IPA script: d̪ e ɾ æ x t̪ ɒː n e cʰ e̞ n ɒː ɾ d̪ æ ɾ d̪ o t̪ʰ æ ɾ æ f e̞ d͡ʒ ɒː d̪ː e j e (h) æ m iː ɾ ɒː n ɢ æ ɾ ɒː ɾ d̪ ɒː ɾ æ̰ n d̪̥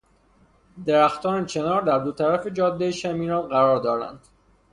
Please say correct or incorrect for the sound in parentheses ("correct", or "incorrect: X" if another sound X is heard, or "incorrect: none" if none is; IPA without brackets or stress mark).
incorrect: ʃ